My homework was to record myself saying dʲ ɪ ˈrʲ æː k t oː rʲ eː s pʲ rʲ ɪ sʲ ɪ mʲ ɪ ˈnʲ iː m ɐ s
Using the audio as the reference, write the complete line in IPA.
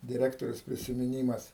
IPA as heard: dʲ ɪ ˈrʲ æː k t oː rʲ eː s pʲ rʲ ɪ sʲ ɪ mʲ ɪ ˈnʲ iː m ɐ s